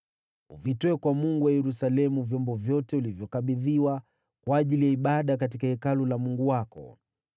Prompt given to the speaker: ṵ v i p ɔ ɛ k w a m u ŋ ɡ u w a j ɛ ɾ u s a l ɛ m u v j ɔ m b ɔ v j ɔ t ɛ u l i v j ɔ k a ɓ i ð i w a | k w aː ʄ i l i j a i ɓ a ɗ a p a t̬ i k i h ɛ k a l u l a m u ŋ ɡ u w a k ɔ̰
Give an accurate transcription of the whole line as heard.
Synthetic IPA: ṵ v i t ɔ ɛ k w a m u ŋ ɡ u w a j ɛ ɾ u s a l ɛ m u v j ɔ m b ɔ v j ɔ t ɛ u l i v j ɔ k a ɓ i ð i w a | k w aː ʄ i l i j a i ɓ a ɗ a k a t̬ i k a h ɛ k a l u l a m u ŋ ɡ u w a k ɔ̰